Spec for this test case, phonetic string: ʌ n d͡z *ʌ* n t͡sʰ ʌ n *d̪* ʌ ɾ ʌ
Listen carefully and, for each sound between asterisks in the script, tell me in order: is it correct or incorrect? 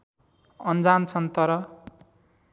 incorrect, incorrect

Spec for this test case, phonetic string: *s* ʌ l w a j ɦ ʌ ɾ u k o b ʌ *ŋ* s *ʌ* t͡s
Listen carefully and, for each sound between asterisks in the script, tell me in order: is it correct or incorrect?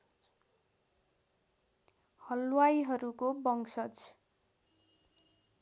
incorrect, correct, correct

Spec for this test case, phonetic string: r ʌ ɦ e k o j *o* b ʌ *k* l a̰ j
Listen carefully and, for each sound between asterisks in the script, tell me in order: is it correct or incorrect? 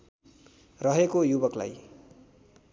incorrect, correct

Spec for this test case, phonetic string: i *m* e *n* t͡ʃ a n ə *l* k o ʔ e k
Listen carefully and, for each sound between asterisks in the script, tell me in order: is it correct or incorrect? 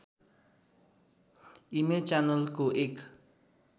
correct, incorrect, correct

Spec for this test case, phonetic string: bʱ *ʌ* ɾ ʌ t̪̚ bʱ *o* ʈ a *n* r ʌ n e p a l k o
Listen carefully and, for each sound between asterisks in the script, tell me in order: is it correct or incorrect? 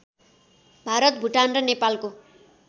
incorrect, incorrect, correct

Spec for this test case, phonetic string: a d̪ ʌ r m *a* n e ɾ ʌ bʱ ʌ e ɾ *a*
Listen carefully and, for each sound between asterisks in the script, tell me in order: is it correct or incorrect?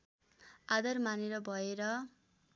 correct, incorrect

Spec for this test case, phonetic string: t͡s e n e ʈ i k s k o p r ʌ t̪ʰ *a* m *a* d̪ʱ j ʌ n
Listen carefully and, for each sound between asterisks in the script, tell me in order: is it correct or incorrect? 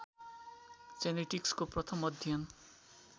incorrect, incorrect

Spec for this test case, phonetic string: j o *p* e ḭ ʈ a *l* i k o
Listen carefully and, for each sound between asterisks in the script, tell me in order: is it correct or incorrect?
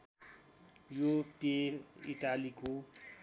correct, correct

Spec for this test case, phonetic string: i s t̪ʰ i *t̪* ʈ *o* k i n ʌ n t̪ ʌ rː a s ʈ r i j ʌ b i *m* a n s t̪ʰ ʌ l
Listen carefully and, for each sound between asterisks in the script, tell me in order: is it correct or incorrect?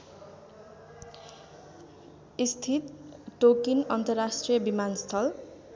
correct, correct, correct

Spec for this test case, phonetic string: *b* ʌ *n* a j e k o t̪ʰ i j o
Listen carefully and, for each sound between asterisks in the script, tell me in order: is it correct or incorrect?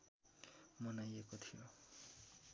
incorrect, correct

